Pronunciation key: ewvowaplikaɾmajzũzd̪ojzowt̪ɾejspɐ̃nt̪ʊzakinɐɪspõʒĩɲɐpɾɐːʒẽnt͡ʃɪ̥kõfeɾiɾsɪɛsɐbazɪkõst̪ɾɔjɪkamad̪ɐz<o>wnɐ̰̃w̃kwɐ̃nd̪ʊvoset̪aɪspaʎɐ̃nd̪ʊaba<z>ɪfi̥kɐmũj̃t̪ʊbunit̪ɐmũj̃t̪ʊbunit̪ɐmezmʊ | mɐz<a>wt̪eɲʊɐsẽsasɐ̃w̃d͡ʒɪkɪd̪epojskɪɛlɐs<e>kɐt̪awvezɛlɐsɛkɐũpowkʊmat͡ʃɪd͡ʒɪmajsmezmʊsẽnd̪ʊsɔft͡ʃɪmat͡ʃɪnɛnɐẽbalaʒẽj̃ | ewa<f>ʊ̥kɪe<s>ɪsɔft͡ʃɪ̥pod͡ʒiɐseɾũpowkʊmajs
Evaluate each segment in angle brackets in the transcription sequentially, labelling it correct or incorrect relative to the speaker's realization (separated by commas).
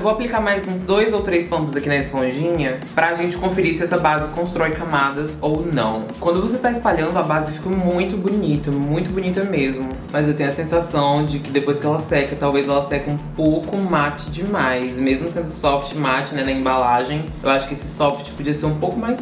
correct, correct, incorrect, incorrect, incorrect, correct